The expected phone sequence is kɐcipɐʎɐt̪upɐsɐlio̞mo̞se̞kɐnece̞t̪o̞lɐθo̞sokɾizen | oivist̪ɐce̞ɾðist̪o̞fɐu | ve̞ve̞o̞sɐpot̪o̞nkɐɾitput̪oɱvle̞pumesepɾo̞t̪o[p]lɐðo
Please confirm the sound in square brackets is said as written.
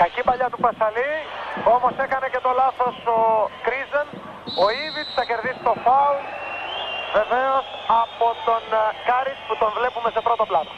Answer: yes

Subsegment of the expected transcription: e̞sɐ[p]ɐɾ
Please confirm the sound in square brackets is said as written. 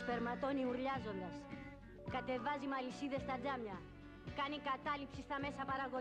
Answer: yes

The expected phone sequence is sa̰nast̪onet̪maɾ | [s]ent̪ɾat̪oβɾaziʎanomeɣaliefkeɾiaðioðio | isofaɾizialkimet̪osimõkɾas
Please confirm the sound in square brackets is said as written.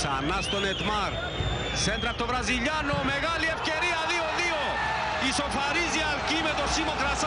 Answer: yes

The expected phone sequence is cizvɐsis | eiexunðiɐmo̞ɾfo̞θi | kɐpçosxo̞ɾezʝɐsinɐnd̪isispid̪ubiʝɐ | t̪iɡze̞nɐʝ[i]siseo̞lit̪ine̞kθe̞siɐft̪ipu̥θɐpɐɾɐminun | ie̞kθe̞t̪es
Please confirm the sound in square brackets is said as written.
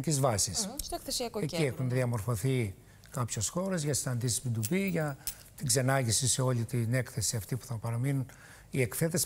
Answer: yes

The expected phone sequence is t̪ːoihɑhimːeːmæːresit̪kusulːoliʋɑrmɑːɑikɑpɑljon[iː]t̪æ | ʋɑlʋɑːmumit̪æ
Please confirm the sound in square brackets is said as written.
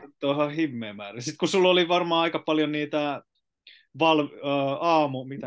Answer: yes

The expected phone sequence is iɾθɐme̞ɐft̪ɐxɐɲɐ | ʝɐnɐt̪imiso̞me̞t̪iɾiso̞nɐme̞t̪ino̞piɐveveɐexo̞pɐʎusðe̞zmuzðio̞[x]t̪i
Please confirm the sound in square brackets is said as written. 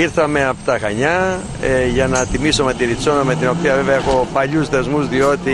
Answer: no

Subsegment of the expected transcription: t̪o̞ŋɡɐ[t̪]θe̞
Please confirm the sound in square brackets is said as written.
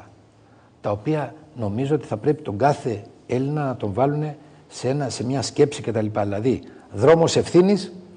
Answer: no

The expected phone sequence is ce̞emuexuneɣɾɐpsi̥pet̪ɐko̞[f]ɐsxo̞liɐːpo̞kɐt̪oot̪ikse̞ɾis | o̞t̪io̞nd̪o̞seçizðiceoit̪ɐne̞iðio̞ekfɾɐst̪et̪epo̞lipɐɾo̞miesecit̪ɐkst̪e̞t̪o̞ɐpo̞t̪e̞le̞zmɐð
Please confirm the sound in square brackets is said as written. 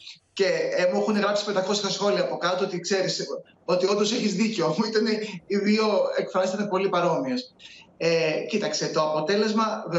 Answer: no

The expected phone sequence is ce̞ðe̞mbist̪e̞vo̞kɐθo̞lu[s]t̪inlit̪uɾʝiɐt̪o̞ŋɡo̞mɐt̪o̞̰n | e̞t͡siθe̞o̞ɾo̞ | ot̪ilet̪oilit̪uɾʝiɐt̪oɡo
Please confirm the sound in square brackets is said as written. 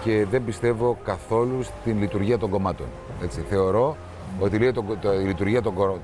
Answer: yes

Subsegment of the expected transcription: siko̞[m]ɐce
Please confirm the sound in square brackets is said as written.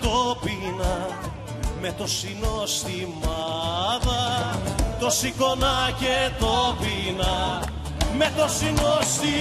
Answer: no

